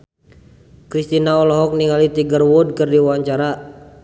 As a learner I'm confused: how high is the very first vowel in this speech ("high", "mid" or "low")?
high